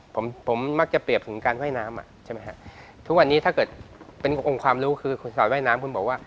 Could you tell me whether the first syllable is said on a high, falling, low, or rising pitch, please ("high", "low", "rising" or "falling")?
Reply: rising